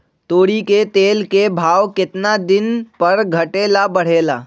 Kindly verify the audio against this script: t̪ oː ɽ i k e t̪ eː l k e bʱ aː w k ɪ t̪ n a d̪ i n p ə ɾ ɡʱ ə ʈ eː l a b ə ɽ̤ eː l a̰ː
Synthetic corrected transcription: t̪ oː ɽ i k e t̪ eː l k e bʱ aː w k ɪ t̪ n a d̪ ɪ n p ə ɾ ɡʱ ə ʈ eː l a b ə ɽ̤ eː l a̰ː

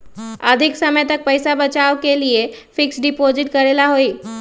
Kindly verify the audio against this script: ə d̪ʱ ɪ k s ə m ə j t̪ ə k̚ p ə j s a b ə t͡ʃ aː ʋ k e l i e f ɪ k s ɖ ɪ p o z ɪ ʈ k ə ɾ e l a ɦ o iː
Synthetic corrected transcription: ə d̪ʱ ɪ k s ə m ə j t̪ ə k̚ p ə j s a b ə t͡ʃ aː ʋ k e l i e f ɪ k s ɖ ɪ p o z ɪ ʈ k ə ɾ e l a ɦ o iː

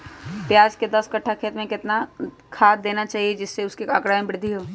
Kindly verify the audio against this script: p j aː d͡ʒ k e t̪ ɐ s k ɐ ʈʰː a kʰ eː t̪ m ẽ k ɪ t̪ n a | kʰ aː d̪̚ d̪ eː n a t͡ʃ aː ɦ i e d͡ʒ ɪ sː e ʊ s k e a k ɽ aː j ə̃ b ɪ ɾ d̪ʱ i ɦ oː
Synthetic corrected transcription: p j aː d͡ʒ k e d̪ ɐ s k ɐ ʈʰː a kʰ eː t̪ m ẽ k ɪ t̪ n a | kʰ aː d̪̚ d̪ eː n a t͡ʃ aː ɦ i e d͡ʒ ɪ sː e ʊ s k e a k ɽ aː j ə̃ b ɪ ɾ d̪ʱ i ɦ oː

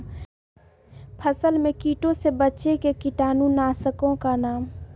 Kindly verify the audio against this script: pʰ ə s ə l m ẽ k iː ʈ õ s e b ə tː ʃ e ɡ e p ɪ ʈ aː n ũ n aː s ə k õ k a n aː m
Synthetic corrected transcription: pʰ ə s ə l m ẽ k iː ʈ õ s e b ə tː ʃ e k e k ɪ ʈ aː n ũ n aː s ə k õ k a n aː m

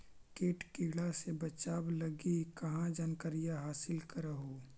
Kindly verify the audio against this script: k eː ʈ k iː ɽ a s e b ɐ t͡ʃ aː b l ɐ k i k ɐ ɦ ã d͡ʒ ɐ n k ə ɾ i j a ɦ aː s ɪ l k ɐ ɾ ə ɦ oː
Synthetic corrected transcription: k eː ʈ k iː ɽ a s e b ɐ t͡ʃ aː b l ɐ ɡ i k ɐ ɦ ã d͡ʒ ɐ n k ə ɾ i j a ɦ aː s ɪ l k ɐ ɾ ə ɦ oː

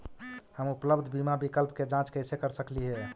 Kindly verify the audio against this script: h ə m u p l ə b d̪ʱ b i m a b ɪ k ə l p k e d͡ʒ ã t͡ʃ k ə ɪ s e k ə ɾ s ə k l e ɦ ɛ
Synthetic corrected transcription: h ə m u p l ə b d̪ʱ b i m a b i k ə l p k e d͡ʒ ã t͡ʃ k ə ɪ s e k ə ɾ s ə k l i ɦ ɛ

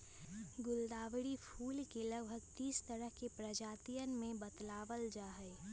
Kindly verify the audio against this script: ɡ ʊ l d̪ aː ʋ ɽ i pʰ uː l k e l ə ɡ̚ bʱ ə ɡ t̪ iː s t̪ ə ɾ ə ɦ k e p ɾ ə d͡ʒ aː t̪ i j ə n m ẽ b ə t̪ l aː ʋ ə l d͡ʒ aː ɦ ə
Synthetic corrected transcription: ɡ ʊ l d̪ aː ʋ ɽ i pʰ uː l k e l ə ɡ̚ bʱ ə ɡ t̪ iː s t̪ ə ɾ ə ɦ k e p ɾ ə d͡ʒ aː t̪ i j ə n m ẽ b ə t̪ l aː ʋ ə l d͡ʒ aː ɦ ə

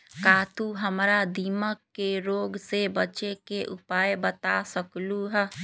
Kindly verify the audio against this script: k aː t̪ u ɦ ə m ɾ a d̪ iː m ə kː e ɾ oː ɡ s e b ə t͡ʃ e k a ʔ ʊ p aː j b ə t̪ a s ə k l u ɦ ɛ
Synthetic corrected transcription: k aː t̪ u ɦ ə m ɾ a d̪ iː m ə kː e ɾ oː ɡ s e b ə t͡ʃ e k e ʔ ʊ p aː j b ə t̪ a s ə k l u ɦ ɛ

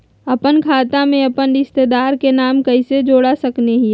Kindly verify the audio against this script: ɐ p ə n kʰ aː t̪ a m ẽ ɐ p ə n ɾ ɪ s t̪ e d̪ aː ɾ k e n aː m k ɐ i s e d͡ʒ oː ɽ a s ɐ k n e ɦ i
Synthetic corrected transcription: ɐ p ə n kʰ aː t̪ a m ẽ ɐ p ə n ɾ ɪ s t̪ e d̪ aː ɾ k e n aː m k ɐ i s e d͡ʒ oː ɽ a s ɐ k n e ɦ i

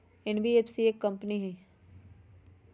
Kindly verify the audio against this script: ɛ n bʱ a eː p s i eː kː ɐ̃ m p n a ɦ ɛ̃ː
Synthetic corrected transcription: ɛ n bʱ i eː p s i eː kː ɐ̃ m p n i ɦ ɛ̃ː

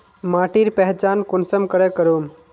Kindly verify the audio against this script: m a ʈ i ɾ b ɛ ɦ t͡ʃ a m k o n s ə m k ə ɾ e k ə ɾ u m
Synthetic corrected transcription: m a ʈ i ɾ p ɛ ɦ t͡ʃ a n k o n s ə m k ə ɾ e k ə ɾ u m

